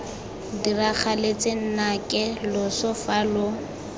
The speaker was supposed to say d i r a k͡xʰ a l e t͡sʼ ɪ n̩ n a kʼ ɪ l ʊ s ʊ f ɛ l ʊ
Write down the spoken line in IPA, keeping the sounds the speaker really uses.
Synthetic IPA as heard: d i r a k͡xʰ a l e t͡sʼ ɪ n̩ n a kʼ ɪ l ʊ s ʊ f a l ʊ